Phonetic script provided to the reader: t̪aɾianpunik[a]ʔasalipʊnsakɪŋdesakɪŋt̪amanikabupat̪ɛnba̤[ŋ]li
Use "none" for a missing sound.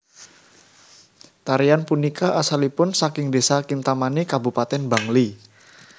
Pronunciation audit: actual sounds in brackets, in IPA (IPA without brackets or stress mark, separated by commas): a, ŋ